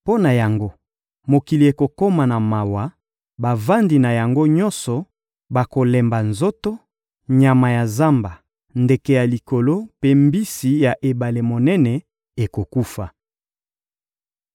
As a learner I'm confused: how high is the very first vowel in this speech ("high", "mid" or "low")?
mid